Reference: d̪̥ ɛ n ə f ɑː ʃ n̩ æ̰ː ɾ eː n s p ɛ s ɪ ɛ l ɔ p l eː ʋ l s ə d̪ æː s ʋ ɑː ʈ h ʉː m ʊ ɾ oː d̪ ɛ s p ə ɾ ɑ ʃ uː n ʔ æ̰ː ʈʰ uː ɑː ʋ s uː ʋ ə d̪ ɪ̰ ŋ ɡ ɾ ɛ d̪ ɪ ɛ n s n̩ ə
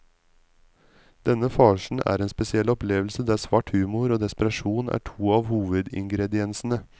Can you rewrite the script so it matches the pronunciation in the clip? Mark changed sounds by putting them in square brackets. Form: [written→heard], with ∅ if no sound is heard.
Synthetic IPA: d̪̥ ɛ n ə f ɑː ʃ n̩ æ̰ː ɾ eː n s p ɛ s ɪ ɛ l ɔ p l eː ʋ l s ə d̪ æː s ʋ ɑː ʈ h ʉː m ʊ ɾ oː d̪ ɛ s p ə ɾ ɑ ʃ uː n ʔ æ̰ː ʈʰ uː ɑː ʋ [s→h] uː ʋ ə d̪ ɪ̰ ŋ ɡ ɾ ɛ d̪ ɪ ɛ n s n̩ ə